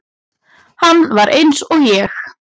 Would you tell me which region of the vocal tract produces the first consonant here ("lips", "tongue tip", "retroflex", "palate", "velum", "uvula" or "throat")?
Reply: throat